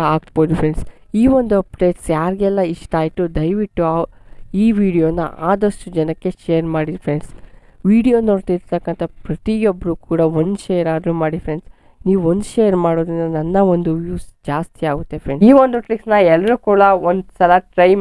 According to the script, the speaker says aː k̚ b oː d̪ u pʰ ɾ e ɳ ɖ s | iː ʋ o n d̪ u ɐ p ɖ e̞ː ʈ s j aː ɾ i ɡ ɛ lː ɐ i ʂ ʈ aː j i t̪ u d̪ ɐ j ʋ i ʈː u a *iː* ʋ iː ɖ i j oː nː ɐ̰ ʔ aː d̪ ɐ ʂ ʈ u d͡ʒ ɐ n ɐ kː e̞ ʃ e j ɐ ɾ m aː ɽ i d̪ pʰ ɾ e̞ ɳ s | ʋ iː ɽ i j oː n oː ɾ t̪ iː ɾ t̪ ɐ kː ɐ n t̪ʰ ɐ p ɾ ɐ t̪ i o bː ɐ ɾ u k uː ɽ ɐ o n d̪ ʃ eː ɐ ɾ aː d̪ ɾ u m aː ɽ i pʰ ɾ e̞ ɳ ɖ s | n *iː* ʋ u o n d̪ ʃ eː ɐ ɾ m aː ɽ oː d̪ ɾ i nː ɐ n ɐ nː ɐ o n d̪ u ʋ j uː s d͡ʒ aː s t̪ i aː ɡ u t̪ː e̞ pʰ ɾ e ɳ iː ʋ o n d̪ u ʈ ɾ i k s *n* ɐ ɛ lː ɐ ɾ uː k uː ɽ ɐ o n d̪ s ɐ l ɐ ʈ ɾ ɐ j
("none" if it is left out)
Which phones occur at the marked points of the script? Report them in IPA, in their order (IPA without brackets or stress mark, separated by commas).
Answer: iː, iː, n